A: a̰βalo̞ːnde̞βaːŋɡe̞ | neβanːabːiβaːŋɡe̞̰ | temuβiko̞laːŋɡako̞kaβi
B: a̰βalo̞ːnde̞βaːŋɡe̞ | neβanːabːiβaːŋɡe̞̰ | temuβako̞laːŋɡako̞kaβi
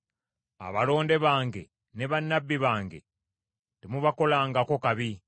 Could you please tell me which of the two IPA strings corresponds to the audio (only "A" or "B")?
B